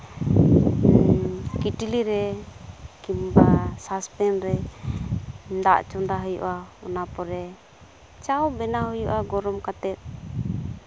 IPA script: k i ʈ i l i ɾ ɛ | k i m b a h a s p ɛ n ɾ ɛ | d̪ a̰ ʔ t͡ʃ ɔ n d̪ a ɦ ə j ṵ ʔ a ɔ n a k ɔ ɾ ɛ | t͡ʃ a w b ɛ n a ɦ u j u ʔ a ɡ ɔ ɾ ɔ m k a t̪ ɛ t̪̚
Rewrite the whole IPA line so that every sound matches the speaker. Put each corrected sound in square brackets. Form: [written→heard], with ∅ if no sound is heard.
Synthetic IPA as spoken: k i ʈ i l i ɾ ɛ | k i m b a [h→s] a s p ɛ n ɾ ɛ | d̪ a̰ ʔ t͡ʃ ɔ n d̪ a ɦ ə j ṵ ʔ a ɔ n a [k→p] ɔ ɾ ɛ | t͡ʃ a w b ɛ n a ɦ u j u ʔ a ɡ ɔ ɾ ɔ m k a t̪ ɛ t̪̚

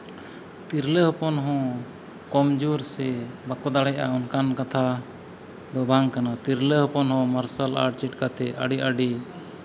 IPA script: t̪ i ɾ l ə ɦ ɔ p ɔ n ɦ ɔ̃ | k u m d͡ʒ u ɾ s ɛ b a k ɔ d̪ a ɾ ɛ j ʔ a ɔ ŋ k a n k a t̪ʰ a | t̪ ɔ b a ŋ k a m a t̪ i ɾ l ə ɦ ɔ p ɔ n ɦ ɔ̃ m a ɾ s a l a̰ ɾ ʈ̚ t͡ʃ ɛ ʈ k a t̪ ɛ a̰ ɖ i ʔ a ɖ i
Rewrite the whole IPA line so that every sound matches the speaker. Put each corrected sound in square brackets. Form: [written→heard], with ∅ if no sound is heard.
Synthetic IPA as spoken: t̪ i ɾ l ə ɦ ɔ p ɔ n ɦ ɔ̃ | k [u→ɔ] m d͡ʒ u ɾ s ɛ b a k ɔ d̪ a [ɾ→ɽ] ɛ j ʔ a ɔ [ŋ→n] k a n k a t̪ʰ a | [t̪→d̪] ɔ b a ŋ k a [m→n] a t̪ i ɾ l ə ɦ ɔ p ɔ n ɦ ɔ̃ m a ɾ s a l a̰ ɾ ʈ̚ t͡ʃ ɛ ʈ k a t̪ ɛ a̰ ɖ i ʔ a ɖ i

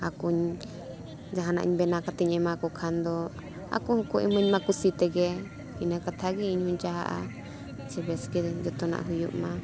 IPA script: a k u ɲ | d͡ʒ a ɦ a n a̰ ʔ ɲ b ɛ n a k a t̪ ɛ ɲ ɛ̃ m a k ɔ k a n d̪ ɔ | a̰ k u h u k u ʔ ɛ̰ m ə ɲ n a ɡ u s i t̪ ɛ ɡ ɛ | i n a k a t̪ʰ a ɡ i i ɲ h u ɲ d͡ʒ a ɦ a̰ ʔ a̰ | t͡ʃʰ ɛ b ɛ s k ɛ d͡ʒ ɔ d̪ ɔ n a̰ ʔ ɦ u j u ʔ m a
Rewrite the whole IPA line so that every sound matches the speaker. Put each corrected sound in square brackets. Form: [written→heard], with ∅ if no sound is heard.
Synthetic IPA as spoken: a k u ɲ | d͡ʒ a ɦ a n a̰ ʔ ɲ b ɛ n a k a t̪ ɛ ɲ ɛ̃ m a k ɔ [k→kʰ] a n d̪ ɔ | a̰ k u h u k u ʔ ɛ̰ m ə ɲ [n→m] a [ɡ→k] u s i t̪ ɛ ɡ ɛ | i n a k a t̪ʰ a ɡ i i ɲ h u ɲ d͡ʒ a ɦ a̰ ʔ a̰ | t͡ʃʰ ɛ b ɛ s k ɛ d͡ʒ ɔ [d̪→t̪] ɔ n a̰ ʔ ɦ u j u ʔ m a

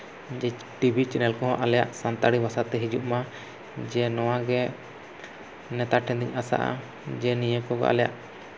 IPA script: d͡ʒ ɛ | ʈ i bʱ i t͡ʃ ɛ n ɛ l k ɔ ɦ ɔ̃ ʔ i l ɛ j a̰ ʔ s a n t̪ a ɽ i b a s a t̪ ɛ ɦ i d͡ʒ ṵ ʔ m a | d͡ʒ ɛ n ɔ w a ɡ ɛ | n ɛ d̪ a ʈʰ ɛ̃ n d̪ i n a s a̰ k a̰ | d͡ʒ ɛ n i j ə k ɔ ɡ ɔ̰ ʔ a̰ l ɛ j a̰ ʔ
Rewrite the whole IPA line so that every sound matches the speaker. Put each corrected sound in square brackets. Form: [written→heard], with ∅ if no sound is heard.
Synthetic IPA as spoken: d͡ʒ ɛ | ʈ i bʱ i t͡ʃ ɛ n ɛ l k ɔ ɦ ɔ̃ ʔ [i→a] l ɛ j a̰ ʔ s a n t̪ a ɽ i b a s a t̪ ɛ ɦ i d͡ʒ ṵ ʔ m a | d͡ʒ ɛ n ɔ w a ɡ ɛ | n ɛ [d̪→t̪] a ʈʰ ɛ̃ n d̪ i [n→ɲ] a s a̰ [k→ʔ] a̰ | d͡ʒ ɛ n i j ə k ɔ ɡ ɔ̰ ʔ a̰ l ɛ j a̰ ʔ

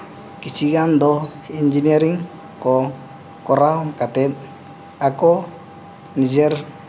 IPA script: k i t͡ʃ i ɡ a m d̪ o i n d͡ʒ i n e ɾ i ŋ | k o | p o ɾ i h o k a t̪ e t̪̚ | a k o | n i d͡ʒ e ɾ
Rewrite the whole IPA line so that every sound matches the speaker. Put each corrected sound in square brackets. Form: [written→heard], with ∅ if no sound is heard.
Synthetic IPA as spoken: k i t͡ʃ i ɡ a [m→n] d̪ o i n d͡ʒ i n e ɾ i ŋ | k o | [p→k] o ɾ [i→a] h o k a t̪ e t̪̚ | a k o | n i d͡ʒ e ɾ

